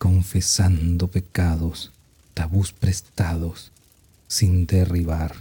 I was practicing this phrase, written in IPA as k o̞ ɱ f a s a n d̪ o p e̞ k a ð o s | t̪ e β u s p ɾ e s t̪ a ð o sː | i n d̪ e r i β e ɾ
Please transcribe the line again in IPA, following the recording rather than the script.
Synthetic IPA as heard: k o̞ ɱ f e s a n d̪ o p e̞ k a ð o s | t̪ a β u s p ɾ e s t̪ a ð o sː | i n d̪ e r i β a ɾ